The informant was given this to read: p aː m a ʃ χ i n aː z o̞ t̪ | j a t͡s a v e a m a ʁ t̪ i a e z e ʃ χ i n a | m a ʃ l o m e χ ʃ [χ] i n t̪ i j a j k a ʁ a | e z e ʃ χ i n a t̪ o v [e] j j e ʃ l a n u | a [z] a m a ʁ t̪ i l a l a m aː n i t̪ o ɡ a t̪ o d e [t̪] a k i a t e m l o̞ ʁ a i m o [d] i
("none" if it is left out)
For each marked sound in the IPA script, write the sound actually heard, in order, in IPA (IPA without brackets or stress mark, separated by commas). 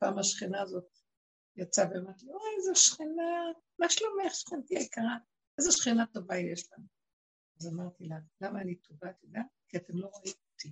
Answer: χ, a, z, none, t